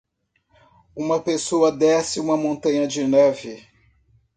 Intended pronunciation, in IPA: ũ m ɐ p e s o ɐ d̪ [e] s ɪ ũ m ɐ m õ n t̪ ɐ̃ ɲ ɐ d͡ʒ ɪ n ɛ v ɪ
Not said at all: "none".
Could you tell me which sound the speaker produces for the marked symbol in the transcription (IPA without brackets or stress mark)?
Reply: ɛ